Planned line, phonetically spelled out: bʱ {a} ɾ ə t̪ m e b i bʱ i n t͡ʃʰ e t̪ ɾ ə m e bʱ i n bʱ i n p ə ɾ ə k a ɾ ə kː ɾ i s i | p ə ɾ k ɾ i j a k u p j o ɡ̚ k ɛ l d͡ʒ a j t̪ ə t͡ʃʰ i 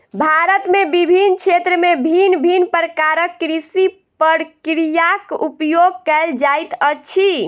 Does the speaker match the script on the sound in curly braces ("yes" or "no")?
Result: yes